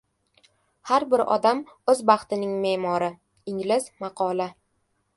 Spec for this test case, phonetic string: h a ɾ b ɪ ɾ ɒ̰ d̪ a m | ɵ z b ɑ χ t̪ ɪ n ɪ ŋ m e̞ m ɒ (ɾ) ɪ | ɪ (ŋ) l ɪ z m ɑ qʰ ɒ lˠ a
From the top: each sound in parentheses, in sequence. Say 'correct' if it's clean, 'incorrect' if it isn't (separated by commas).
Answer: correct, correct